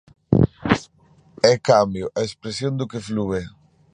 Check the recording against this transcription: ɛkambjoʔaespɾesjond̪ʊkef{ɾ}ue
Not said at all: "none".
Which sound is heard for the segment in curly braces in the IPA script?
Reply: l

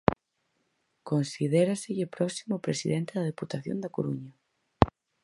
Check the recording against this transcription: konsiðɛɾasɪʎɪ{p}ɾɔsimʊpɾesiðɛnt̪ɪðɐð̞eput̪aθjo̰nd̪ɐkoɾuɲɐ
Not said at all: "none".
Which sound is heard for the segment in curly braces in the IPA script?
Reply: p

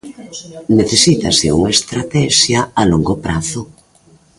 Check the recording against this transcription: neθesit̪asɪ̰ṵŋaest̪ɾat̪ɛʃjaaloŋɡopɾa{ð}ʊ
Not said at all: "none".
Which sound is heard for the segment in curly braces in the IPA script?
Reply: θ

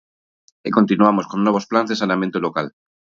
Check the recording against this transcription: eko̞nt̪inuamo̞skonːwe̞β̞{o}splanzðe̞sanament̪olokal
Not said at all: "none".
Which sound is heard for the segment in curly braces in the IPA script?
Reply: o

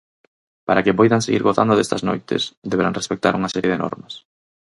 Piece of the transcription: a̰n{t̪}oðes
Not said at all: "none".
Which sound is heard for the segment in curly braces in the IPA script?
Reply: d̪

